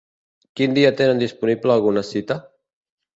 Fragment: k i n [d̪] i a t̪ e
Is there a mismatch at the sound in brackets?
no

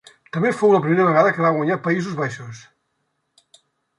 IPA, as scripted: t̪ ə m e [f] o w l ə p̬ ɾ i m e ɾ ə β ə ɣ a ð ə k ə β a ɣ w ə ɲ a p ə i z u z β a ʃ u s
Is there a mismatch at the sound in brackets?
no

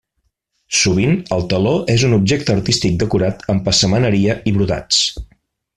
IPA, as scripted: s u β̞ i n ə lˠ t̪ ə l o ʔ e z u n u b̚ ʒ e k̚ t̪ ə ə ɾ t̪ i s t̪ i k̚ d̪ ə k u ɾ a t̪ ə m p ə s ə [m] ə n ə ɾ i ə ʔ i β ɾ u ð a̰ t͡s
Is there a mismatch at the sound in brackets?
no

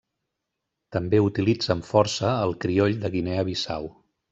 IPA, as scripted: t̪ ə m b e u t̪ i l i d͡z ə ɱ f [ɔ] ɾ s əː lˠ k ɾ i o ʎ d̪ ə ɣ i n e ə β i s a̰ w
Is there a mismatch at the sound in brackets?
no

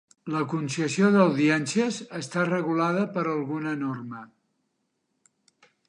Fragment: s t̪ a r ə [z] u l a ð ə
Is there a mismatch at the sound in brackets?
yes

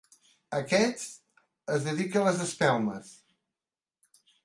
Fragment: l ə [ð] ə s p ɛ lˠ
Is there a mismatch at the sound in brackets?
yes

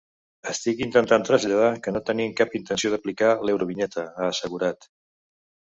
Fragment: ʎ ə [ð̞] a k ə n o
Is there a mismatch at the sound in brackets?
no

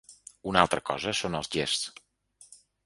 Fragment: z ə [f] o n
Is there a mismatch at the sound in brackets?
yes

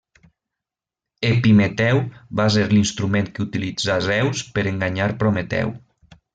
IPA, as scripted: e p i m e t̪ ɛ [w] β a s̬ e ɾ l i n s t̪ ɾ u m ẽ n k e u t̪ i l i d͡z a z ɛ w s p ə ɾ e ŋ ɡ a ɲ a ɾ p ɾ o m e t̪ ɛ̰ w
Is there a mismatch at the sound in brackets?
no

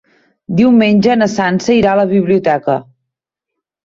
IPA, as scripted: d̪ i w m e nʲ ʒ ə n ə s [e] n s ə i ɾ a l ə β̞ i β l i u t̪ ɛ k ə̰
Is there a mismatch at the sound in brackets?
yes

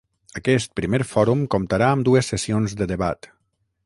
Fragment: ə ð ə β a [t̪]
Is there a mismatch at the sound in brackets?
no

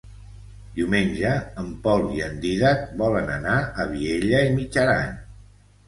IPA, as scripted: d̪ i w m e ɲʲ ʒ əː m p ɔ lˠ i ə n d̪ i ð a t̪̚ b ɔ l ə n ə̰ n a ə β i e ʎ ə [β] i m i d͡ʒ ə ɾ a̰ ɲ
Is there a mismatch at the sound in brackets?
yes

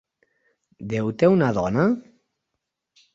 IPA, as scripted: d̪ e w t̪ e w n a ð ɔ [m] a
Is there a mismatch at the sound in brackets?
yes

